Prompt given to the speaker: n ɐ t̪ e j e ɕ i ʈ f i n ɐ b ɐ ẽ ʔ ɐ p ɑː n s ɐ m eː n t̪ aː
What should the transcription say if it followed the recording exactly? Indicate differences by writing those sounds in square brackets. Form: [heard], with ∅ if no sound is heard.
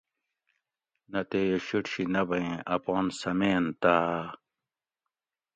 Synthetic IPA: n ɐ t̪ e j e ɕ i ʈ [ɕ] i n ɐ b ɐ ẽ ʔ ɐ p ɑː n s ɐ m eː n t̪ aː